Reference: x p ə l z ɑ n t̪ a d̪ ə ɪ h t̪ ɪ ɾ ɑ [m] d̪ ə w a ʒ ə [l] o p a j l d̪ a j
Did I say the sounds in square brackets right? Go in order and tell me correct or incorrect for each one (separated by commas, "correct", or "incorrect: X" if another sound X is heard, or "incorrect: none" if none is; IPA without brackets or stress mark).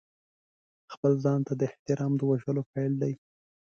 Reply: correct, correct